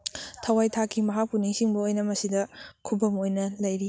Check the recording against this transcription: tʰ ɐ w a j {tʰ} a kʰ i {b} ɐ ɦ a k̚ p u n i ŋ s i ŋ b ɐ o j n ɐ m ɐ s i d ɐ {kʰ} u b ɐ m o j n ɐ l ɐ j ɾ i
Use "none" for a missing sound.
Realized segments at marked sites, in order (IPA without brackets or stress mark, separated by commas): tʰ, m, kʰ